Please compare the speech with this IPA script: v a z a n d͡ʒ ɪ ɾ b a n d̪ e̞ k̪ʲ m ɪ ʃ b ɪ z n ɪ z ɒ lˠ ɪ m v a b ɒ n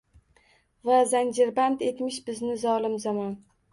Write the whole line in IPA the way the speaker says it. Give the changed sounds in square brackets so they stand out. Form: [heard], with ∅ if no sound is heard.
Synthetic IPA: v a z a n d͡ʒ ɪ ɾ b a n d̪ e̞ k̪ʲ m ɪ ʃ b ɪ z n ɪ z ɒ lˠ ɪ m [z] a [m] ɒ n